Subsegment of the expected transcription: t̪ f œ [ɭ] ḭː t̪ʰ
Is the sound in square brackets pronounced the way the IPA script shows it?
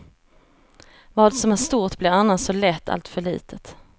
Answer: yes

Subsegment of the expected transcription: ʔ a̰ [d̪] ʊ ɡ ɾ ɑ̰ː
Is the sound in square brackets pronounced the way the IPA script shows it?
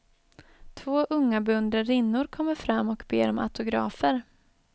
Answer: no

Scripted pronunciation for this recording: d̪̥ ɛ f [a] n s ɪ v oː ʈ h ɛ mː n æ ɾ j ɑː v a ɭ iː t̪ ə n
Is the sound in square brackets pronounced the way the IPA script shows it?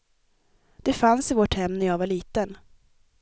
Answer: yes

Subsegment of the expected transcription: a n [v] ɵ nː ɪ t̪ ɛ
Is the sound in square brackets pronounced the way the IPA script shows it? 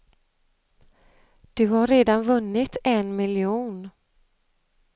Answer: yes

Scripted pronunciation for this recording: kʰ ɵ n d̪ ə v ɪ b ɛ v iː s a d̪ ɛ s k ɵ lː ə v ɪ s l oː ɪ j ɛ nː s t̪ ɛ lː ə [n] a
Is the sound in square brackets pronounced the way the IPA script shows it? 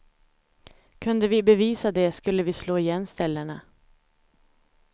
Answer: no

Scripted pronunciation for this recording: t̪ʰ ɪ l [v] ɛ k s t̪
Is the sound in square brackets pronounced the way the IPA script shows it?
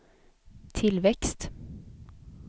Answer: no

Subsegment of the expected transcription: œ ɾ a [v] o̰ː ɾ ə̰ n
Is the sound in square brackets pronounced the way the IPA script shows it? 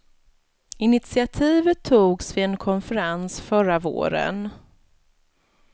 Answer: yes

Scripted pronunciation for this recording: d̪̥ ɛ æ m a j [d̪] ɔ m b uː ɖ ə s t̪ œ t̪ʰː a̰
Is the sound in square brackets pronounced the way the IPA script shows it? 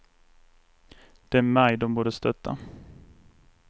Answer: yes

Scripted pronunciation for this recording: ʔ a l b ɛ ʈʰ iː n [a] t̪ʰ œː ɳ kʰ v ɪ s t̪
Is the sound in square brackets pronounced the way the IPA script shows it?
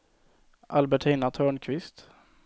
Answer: yes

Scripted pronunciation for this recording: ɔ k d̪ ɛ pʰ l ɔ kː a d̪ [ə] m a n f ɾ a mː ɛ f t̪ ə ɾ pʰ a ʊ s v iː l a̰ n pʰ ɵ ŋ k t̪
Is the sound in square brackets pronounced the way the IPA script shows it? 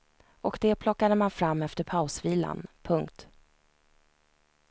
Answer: yes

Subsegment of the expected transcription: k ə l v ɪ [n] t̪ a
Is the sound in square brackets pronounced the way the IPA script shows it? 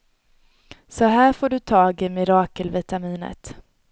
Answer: no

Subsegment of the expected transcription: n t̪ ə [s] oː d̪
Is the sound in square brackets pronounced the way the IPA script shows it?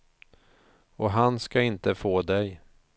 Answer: no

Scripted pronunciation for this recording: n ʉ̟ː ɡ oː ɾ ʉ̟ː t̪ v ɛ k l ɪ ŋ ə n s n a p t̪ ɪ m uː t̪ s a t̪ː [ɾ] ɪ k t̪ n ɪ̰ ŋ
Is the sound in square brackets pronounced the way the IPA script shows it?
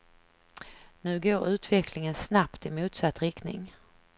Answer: yes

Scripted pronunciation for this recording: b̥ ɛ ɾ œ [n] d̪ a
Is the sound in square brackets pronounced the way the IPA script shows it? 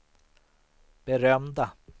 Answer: no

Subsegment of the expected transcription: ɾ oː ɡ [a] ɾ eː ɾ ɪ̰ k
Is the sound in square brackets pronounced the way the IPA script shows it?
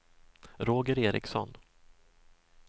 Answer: no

